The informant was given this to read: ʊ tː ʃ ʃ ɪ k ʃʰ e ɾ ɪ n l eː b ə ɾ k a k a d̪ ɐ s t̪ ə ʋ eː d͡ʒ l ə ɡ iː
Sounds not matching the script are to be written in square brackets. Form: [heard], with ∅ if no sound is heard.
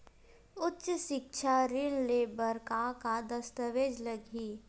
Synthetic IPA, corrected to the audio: ʊ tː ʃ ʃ ɪ k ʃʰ [a] ɾ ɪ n l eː b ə ɾ k a k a d̪ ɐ s t̪ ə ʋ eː d͡ʒ l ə ɡ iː